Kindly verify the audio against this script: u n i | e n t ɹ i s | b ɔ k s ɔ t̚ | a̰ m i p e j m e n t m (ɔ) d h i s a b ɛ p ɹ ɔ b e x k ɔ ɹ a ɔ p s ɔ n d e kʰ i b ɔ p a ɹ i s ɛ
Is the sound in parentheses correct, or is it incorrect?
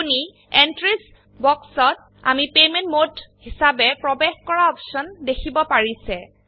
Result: incorrect